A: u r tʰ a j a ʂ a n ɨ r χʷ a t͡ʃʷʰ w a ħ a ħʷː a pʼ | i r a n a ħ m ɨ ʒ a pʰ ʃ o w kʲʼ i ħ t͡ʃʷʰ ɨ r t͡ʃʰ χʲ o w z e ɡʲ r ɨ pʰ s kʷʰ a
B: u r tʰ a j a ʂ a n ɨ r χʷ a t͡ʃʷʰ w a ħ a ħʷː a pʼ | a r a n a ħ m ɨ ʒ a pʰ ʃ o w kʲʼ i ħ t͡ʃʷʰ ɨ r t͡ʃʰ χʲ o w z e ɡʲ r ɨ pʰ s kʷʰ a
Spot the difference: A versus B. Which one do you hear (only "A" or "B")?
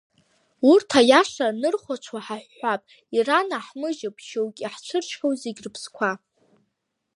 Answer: A